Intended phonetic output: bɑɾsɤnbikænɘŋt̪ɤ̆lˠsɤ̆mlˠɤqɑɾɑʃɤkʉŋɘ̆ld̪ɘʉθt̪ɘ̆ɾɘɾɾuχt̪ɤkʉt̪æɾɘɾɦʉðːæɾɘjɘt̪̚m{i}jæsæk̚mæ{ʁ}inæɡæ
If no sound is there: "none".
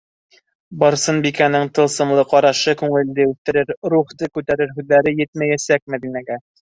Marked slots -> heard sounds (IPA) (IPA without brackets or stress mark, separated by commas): æ, ð